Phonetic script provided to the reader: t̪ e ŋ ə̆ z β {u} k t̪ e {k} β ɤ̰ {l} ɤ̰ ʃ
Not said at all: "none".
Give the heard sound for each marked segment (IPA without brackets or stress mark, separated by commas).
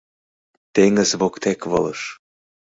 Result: o, k, l